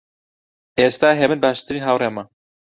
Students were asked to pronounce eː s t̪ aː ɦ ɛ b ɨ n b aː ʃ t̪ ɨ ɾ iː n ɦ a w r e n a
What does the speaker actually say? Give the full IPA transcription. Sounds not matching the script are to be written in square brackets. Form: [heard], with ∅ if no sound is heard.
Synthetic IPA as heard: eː s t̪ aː ɦ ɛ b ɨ n b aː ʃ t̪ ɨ ɾ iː n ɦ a w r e [m] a